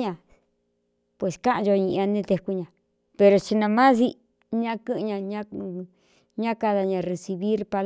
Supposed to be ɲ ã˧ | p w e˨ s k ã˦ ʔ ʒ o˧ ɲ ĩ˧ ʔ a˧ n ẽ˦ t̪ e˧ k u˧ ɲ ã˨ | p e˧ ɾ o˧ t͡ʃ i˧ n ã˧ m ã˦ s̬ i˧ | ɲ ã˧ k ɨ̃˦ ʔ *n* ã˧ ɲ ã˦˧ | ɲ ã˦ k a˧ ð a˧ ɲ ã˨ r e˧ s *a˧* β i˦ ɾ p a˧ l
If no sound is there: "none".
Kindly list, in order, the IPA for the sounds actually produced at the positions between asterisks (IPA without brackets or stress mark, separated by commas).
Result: ɲ, i˧